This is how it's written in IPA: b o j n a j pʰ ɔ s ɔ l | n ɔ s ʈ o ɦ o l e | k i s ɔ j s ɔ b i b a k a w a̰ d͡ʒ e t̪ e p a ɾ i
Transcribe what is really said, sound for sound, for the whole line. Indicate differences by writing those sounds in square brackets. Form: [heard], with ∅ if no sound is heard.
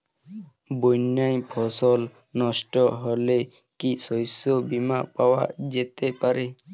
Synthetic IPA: b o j n a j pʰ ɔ s ɔ l | n ɔ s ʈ [ɔ] ɦ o l e | k i s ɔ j s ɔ b i [m] a [p] a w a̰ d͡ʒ e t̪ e p a ɾ [e]